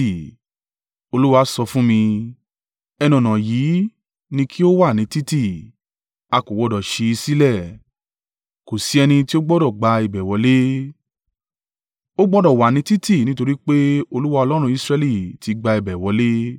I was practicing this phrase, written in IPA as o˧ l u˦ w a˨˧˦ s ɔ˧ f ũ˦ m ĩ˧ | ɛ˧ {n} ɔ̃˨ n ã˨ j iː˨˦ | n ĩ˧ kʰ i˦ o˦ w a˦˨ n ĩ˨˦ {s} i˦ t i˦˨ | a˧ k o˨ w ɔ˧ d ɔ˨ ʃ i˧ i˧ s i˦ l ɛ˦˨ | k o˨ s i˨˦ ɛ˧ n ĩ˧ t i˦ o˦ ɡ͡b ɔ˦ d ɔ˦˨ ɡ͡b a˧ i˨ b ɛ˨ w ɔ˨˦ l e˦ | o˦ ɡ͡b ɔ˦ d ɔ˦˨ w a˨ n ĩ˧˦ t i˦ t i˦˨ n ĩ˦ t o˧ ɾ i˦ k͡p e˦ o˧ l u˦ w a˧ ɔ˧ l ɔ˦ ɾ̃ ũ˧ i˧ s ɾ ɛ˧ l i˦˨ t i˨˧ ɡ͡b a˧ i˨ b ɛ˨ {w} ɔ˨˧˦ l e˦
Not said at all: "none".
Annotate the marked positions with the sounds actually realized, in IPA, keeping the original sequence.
n, t, w

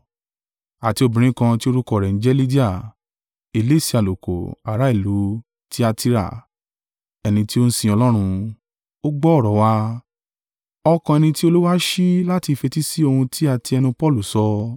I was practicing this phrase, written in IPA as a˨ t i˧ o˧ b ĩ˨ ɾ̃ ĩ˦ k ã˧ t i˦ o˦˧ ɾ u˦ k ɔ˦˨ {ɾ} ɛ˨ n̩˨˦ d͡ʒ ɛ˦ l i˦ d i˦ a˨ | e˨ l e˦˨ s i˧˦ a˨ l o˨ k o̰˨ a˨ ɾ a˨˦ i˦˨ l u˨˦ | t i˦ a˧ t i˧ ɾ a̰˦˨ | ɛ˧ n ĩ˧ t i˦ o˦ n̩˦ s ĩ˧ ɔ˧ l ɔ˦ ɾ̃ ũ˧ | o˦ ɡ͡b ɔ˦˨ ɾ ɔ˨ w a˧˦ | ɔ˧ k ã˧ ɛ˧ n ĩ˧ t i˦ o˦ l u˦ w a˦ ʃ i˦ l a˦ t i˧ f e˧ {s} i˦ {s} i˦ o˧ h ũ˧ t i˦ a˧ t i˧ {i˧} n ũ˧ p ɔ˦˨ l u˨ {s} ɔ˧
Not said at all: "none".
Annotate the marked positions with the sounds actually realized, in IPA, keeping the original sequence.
ɾ, t, s, ɛ˧, s

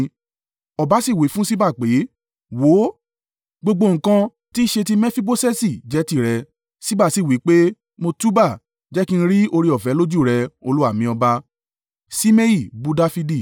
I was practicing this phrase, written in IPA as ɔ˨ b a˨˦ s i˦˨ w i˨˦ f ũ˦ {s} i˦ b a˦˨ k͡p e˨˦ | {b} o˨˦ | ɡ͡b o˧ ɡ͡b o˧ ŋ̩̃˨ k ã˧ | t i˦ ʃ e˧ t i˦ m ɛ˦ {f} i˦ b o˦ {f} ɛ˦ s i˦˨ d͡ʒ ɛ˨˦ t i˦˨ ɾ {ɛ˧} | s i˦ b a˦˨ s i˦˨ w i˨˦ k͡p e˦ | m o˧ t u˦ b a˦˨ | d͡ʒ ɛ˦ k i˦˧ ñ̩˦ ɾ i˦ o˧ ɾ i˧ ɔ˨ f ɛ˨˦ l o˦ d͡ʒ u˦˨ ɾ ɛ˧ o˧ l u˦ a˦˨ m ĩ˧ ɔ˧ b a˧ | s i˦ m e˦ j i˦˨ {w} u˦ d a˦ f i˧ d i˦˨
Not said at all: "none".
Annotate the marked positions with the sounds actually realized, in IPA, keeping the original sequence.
s, w, f, s, ɛ˧, b

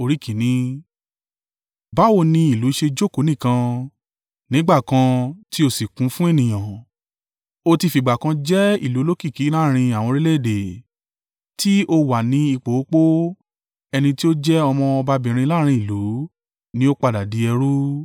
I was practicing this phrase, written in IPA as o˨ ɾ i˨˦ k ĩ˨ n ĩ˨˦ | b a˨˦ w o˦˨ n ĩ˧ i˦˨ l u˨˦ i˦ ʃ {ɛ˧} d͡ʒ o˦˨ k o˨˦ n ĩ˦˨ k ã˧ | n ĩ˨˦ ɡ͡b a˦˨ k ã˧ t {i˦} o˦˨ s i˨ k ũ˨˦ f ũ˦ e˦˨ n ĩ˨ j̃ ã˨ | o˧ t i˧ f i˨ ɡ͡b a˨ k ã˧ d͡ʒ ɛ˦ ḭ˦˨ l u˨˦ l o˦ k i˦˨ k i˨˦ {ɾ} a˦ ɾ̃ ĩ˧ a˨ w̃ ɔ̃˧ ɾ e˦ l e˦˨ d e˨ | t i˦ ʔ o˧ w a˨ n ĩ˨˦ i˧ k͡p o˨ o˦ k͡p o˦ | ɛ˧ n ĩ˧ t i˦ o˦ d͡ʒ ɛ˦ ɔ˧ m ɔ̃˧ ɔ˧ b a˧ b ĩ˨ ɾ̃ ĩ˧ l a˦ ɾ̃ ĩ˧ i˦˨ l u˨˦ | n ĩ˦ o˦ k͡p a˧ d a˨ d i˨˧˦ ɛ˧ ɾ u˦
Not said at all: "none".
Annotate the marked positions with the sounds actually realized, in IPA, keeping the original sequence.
e˧, i˦, l

